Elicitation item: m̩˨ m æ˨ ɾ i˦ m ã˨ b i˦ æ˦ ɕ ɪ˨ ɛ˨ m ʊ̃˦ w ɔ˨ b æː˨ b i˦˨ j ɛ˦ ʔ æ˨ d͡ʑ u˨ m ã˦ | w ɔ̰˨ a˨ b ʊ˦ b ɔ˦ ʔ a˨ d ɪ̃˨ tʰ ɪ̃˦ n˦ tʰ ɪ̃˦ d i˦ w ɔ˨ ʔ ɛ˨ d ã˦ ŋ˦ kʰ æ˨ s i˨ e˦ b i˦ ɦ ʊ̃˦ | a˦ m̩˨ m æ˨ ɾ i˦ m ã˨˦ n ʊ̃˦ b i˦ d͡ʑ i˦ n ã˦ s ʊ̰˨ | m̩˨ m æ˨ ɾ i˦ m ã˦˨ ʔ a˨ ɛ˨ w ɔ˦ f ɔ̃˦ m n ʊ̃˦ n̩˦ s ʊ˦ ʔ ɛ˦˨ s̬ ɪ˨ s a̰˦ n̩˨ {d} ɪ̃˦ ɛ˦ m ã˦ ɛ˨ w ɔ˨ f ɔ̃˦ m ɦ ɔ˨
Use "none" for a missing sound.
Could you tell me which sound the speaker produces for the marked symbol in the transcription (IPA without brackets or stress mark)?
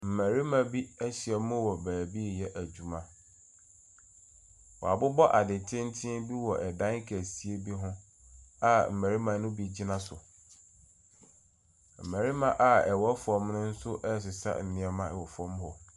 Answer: n